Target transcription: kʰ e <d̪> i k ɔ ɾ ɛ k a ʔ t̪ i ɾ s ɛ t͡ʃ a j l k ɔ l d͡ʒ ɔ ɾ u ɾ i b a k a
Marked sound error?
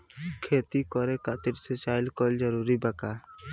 yes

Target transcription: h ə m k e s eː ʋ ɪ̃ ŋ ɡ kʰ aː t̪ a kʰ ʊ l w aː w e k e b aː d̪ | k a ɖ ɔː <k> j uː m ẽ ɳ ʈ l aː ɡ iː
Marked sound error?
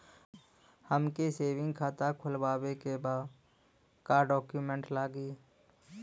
no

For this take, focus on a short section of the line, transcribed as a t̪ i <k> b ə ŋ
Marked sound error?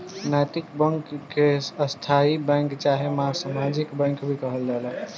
no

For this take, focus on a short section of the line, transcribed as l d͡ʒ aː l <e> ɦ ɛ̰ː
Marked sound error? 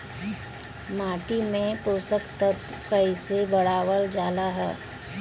yes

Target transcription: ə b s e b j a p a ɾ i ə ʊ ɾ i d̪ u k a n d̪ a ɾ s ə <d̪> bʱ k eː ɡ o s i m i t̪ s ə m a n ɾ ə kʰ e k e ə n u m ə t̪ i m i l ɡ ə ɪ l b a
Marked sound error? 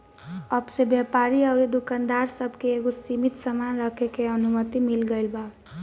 yes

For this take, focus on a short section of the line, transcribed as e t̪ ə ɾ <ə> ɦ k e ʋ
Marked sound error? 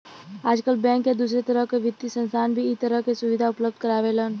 no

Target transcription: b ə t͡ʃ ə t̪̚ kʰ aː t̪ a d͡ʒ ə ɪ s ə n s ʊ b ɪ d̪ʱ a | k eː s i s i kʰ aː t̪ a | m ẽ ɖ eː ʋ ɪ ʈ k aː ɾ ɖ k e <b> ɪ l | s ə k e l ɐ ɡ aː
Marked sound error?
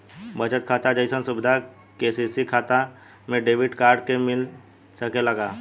yes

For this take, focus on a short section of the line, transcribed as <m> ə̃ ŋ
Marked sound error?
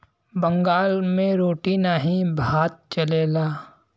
yes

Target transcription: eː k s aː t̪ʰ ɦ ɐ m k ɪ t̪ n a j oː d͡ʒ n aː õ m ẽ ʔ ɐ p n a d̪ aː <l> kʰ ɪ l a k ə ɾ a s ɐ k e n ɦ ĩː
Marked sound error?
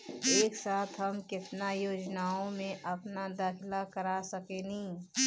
yes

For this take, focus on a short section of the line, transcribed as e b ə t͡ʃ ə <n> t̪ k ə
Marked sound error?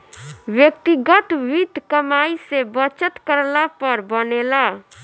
yes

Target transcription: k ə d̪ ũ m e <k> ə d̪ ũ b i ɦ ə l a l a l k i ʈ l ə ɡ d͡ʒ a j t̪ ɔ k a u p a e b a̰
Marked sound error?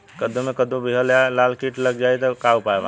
no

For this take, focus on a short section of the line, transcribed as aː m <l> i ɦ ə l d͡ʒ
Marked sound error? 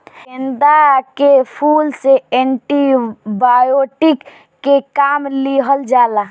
no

